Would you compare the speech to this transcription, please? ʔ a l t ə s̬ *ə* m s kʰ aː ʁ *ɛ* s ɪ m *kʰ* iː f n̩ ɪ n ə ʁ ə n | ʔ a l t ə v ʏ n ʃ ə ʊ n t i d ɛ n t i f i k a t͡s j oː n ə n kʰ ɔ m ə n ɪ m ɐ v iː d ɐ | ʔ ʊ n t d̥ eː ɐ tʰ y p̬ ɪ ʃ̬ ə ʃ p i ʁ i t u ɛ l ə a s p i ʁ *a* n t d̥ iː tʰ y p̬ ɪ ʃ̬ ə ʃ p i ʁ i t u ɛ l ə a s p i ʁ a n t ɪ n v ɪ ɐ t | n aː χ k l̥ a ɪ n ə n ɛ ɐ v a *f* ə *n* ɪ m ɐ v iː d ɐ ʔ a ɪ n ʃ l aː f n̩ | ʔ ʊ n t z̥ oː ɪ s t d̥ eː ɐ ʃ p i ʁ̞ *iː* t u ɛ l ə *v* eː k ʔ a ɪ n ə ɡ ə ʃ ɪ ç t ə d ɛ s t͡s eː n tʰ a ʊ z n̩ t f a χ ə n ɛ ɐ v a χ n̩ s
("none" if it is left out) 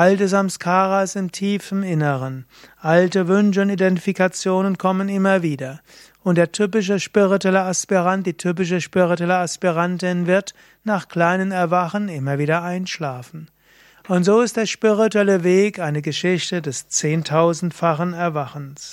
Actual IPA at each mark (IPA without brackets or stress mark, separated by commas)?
a, a, tʰ, a, χ, n, i, v